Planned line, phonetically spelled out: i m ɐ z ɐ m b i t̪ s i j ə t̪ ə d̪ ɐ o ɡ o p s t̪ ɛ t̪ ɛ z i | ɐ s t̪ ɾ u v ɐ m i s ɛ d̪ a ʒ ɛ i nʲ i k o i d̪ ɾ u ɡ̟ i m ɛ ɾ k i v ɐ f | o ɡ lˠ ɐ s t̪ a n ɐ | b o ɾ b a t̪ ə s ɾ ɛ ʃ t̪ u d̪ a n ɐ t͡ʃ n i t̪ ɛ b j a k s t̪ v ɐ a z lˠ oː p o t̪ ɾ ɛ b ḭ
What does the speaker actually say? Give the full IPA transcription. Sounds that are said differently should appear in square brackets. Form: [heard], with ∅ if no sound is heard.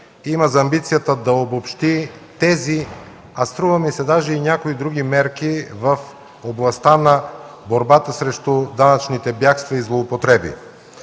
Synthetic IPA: i m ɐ z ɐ m b i t̪ s i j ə t̪ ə d̪ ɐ o [b] o p [ʃ] t̪ [i] t̪ ɛ z i | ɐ s t̪ ɾ u v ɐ m i s ɛ d̪ a ʒ ɛ i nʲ [a] k o i d̪ ɾ u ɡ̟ i m ɛ ɾ k i v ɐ f | o [b] lˠ ɐ s t̪ a n ɐ | b o ɾ b a t̪ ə s ɾ ɛ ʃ t̪ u d̪ a n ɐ t͡ʃ n i t̪ ɛ b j a k s t̪ v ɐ [i] z lˠ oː p o t̪ ɾ ɛ b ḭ